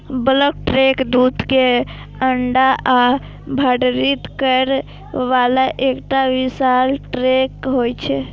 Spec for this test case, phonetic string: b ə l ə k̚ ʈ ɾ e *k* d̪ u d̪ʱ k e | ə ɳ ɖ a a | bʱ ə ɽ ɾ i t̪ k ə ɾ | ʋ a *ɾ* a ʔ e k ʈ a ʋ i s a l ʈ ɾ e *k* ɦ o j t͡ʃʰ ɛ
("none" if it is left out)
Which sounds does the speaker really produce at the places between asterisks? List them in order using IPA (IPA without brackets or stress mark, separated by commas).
k, l, k